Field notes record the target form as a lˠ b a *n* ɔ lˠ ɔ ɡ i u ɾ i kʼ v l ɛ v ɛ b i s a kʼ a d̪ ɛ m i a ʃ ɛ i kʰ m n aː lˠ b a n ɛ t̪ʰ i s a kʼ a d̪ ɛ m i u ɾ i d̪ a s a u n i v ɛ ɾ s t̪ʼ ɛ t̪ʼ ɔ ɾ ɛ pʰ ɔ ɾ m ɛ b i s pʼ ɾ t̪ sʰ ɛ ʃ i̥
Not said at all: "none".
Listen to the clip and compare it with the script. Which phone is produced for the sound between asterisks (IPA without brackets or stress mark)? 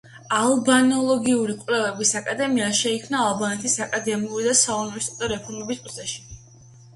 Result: n